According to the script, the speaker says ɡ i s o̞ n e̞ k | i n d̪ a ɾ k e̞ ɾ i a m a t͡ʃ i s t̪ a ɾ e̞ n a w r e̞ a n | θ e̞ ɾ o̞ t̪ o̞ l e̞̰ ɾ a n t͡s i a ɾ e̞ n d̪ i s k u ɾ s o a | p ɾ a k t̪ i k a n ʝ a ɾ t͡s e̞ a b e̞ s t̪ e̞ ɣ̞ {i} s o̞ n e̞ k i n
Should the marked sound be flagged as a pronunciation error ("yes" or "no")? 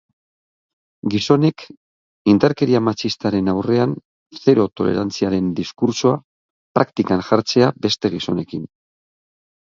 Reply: no